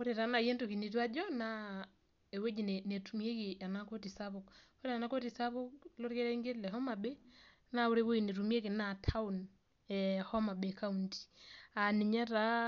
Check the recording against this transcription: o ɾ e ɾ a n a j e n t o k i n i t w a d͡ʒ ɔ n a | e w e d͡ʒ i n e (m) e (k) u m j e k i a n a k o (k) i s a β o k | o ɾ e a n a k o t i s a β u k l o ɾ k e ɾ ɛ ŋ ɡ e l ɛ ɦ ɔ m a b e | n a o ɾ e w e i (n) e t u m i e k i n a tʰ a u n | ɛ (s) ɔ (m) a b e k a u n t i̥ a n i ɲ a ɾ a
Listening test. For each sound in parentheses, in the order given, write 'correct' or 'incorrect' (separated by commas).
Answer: incorrect, incorrect, incorrect, correct, incorrect, correct